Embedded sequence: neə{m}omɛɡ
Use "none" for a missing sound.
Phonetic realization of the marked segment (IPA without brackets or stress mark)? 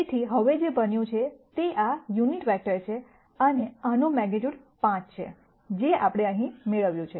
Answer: n